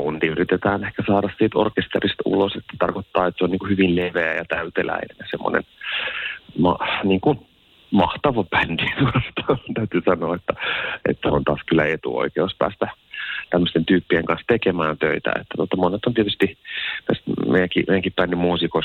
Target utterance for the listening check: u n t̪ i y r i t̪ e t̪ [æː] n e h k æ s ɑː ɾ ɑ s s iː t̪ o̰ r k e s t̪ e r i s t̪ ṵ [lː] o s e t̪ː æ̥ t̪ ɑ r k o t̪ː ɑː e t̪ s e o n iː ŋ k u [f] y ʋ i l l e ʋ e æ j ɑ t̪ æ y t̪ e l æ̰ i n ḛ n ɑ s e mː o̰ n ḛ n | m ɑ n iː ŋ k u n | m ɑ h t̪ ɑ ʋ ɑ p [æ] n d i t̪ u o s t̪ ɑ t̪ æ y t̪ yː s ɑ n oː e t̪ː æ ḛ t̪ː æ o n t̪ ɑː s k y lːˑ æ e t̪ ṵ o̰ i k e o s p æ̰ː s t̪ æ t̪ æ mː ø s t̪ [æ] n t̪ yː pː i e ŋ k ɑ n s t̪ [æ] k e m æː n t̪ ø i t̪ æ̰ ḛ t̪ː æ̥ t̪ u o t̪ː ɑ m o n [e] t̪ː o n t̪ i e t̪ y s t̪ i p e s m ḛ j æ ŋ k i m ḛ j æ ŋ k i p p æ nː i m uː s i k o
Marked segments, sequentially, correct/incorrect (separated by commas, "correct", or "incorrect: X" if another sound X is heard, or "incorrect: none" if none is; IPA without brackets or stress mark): correct, incorrect: l, incorrect: h, correct, incorrect: e, incorrect: e, correct